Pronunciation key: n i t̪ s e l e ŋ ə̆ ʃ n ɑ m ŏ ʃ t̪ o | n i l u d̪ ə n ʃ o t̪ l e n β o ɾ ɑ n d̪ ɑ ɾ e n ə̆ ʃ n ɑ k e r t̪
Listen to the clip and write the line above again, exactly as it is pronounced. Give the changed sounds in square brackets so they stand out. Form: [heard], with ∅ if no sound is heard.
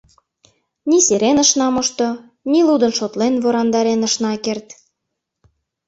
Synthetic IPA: n i [∅] s e [ɾ] e [n] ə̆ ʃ n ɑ m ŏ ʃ t̪ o | n i l u d̪ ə n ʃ o t̪ l e n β o ɾ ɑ n d̪ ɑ ɾ e n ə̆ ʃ n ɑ k e r t̪

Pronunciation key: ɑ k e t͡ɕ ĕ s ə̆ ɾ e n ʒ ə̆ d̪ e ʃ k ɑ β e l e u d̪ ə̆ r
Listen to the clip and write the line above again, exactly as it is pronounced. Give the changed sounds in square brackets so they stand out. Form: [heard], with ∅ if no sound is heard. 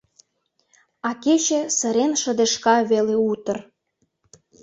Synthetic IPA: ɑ k e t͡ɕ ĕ s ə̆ ɾ e n [ʃ] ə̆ d̪ e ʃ k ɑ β e l e u [t̪] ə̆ r

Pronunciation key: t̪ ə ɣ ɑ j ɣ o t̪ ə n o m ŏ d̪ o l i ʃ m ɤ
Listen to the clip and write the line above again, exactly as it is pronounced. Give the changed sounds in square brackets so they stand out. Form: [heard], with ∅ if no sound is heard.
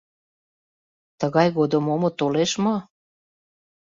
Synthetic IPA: t̪ ə ɣ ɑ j ɣ o [d̪] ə [m] o m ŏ [t̪] o l [e] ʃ m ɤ

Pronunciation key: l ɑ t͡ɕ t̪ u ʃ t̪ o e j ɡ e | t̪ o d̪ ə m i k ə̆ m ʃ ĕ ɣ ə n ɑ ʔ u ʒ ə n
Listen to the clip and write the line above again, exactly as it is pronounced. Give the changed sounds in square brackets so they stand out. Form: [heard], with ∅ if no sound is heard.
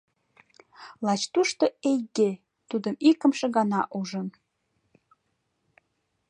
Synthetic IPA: l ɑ t͡ɕ t̪ u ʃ t̪ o e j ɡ e | t̪ [u] d̪ ə m i k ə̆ m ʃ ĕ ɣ [ɑ] n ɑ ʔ u ʒ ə n

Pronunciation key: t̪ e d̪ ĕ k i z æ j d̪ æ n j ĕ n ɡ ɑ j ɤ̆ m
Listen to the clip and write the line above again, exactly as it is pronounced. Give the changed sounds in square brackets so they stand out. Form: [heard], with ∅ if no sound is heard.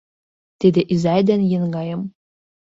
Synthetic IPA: t̪ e d̪ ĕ [ʔ] i z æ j d̪ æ n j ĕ n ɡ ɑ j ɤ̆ m

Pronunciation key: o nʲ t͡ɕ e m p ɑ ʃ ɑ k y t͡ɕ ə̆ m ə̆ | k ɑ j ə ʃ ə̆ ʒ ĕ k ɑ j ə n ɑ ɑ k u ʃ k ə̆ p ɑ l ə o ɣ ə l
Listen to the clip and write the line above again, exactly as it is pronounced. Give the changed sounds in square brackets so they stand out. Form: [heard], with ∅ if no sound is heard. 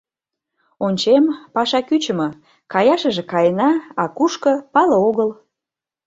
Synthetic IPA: o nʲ t͡ɕ e m p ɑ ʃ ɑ k y t͡ɕ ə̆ m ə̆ | k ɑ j [ɑ] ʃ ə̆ ʒ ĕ k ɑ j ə n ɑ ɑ k u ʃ k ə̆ p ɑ l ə o ɣ ə l

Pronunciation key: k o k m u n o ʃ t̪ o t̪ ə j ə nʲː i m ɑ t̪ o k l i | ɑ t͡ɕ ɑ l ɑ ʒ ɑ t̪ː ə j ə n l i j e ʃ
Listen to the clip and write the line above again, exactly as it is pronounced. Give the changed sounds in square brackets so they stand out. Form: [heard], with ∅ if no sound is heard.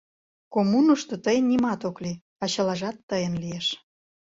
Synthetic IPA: k o [∅] m u n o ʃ t̪ o t̪ ə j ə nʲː i m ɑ t̪ o k l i | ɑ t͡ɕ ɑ l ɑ ʒ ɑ t̪ː ə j ə n l i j e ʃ

